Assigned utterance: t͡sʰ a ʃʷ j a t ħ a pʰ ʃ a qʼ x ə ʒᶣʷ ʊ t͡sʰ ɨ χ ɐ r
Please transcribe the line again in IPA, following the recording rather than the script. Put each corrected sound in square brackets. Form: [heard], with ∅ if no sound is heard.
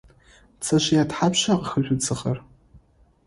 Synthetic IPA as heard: t͡sʰ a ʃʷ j a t ħ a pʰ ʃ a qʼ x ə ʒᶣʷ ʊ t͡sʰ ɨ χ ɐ r

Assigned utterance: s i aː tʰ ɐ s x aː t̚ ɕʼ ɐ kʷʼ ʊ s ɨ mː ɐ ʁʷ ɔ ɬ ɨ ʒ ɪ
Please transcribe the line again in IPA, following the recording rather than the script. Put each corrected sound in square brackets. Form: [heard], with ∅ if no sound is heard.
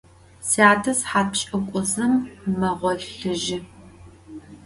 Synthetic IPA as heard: s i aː tʰ ɐ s [ħ] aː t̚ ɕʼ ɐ kʷʼ ʊ [z] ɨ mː ɐ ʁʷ ɔ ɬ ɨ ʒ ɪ

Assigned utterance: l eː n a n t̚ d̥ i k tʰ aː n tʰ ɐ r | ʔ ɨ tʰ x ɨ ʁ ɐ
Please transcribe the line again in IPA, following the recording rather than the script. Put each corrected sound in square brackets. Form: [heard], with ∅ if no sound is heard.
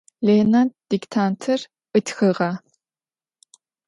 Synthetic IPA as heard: l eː n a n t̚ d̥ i k tʰ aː n tʰ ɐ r | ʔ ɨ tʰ x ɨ ʁ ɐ

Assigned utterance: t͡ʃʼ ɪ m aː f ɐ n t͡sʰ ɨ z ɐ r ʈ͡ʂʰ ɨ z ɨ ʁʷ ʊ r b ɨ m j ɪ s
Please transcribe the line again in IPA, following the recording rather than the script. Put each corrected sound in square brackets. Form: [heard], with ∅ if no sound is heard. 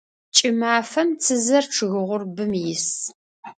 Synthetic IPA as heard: t͡ʃʼ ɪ m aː f ɐ [m] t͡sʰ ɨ z ɐ r ʈ͡ʂʰ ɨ [ɣ] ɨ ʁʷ ʊ r b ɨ m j ɪ s

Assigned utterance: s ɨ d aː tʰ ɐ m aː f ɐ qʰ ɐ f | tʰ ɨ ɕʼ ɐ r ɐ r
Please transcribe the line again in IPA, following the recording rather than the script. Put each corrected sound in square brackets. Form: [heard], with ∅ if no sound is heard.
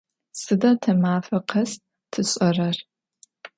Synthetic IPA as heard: s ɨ d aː tʰ ɐ m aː f ɐ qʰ ɐ [s] | tʰ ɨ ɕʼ ɐ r ɐ r

